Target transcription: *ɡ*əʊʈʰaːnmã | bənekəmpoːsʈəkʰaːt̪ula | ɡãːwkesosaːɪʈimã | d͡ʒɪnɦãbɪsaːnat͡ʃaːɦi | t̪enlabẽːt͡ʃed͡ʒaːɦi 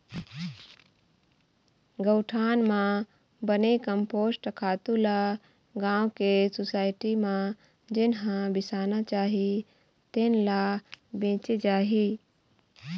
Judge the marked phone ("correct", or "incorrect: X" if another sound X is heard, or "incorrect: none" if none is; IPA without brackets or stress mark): correct